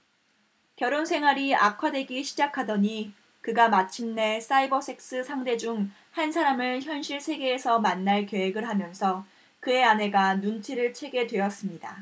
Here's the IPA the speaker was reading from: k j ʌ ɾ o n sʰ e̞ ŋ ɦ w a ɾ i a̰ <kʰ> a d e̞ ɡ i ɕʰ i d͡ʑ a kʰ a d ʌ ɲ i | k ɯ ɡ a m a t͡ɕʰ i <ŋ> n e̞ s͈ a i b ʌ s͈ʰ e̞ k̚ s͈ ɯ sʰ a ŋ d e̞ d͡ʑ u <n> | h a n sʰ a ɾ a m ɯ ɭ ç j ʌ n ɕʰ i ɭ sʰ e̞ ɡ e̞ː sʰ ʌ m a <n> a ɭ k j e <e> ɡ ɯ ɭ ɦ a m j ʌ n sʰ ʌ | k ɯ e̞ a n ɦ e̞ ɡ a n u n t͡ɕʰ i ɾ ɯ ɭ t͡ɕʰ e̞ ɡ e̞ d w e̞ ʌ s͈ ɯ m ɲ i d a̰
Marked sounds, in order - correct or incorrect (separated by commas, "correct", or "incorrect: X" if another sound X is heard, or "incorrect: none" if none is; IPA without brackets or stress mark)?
correct, incorrect: m, incorrect: ŋ, incorrect: nː, correct